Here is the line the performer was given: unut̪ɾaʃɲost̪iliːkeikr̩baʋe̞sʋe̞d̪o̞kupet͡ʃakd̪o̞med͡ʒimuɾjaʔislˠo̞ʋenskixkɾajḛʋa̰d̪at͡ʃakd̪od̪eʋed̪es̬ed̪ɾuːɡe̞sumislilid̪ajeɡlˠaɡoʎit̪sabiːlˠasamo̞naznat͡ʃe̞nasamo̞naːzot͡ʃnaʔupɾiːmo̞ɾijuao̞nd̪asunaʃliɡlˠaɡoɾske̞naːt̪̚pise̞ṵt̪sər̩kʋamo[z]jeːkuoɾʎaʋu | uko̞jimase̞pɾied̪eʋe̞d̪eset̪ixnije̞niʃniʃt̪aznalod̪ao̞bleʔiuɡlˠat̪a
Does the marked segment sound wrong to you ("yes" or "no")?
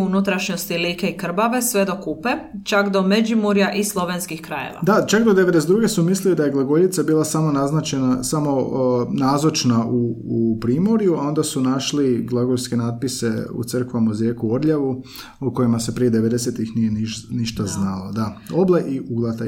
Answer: no